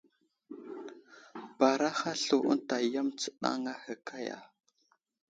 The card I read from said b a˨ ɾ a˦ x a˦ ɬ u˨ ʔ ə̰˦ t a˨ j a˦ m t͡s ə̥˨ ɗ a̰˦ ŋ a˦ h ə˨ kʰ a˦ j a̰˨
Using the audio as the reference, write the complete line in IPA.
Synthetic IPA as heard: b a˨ ɾ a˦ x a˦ ɬ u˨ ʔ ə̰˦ t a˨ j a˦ m t͡s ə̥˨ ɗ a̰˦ ŋ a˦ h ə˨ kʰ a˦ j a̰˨